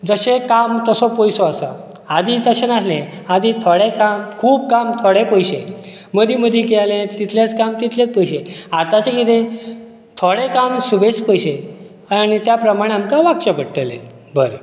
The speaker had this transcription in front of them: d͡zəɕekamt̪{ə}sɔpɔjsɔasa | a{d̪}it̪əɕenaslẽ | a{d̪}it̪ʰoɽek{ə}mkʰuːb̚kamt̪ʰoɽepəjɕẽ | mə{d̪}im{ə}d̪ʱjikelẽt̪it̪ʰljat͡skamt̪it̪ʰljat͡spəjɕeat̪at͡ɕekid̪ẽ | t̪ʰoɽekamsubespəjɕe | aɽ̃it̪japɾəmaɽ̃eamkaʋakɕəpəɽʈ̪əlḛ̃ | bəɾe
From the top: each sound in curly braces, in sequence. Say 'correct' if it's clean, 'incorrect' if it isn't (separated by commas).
correct, correct, correct, incorrect, correct, correct